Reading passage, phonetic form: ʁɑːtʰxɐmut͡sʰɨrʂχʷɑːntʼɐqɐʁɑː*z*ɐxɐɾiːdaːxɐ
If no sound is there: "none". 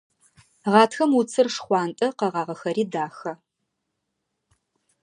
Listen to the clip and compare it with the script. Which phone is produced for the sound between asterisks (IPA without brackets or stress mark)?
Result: ʁ